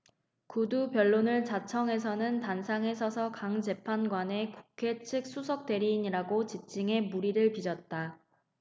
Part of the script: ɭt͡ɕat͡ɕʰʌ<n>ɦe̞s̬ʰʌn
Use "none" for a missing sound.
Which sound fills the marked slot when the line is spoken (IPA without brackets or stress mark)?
ŋ